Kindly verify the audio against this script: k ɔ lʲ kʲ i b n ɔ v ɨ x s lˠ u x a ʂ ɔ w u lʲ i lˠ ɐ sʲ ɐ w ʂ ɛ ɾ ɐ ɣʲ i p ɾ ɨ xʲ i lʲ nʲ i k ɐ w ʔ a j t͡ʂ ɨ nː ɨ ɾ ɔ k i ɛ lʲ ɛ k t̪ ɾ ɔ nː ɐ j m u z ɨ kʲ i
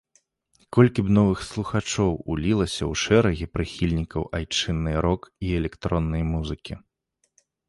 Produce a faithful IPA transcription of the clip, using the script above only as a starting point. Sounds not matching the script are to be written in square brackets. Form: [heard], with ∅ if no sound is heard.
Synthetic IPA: k ɔ lʲ kʲ i b n ɔ v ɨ x s lˠ u x a [t͡ʂ] ɔ w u lʲ i lˠ ɐ sʲ ɐ w ʂ ɛ ɾ ɐ ɣʲ i p ɾ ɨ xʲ i lʲ nʲ i k ɐ w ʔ a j t͡ʂ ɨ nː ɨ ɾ ɔ k i ɛ lʲ ɛ k t̪ ɾ ɔ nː ɐ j m u z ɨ kʲ i